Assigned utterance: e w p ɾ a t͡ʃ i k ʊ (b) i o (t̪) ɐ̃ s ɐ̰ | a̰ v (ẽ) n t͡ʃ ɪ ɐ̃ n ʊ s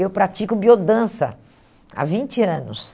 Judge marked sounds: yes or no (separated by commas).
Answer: yes, no, no